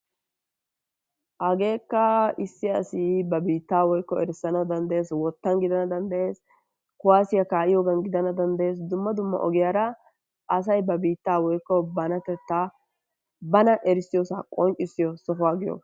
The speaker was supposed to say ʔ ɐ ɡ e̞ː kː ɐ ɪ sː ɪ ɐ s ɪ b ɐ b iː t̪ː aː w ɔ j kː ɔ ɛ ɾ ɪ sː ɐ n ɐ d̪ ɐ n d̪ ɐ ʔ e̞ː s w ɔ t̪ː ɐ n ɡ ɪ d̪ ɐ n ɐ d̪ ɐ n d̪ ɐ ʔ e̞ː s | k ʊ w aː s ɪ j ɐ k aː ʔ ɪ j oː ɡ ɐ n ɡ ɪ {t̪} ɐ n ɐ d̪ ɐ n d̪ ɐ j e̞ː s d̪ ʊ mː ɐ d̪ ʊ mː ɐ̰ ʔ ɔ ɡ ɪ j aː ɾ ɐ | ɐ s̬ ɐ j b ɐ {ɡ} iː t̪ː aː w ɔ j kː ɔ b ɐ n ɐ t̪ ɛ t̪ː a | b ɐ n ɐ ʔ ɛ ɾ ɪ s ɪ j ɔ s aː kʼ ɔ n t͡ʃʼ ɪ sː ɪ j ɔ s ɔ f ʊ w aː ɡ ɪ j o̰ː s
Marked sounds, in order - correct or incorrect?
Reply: incorrect: d̪, incorrect: b

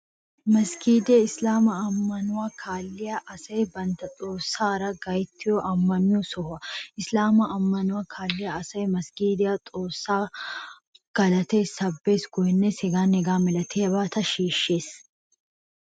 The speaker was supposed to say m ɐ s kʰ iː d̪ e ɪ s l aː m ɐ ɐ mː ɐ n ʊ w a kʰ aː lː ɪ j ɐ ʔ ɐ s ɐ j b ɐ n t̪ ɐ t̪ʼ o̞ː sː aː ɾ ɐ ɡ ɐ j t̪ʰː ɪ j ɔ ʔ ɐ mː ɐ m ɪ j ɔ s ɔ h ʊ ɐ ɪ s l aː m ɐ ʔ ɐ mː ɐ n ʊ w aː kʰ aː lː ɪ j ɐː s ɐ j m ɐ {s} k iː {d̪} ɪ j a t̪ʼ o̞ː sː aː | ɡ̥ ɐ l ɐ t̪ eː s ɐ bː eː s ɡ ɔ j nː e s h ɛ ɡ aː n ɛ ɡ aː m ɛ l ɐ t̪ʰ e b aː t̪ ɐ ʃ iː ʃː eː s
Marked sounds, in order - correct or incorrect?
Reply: correct, correct

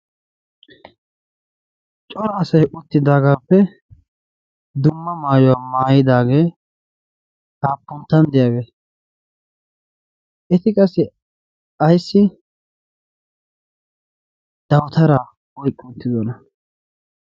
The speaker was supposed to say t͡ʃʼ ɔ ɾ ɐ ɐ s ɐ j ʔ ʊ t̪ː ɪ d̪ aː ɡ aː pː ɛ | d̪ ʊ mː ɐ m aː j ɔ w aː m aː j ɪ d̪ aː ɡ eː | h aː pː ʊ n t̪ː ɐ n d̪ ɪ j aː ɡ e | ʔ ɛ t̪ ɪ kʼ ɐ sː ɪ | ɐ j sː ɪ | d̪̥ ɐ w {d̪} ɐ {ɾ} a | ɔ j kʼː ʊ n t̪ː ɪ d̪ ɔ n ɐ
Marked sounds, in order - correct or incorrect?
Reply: incorrect: t̪, correct

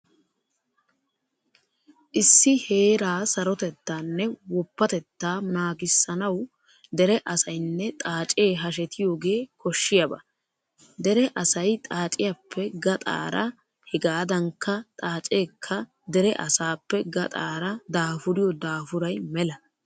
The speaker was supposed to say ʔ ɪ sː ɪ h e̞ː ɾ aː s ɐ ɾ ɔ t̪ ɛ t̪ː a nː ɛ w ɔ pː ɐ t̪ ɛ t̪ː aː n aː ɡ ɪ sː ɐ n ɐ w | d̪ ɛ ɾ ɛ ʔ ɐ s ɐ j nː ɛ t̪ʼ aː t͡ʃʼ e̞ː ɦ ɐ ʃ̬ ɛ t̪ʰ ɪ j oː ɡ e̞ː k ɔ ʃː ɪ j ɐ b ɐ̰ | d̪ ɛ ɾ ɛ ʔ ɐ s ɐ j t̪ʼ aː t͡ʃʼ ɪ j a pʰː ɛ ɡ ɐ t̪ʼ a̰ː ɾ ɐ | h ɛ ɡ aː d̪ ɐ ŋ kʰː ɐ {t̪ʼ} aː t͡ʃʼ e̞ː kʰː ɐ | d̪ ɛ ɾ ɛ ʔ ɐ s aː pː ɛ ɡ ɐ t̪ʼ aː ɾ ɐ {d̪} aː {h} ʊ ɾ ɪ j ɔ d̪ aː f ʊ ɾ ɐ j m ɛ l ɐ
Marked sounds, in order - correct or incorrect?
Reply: correct, correct, incorrect: f

